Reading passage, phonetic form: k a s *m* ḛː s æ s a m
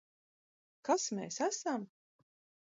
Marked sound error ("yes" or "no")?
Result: no